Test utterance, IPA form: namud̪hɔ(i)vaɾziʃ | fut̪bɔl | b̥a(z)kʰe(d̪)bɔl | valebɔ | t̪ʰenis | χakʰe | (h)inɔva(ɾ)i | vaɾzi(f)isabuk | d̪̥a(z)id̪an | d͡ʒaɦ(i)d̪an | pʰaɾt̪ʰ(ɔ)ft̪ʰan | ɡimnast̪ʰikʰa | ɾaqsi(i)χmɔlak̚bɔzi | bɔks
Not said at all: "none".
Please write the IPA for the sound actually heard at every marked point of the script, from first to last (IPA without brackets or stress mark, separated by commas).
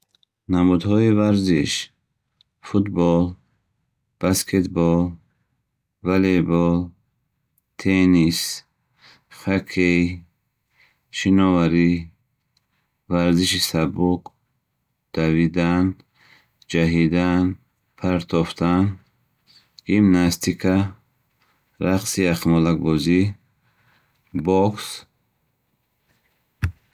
i, s, t̪, ʃ, ɾ, ʃ, v, i, ɔ, a